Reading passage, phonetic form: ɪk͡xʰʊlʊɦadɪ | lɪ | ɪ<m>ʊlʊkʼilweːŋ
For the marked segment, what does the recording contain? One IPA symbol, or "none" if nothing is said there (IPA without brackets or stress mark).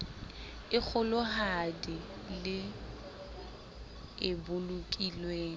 b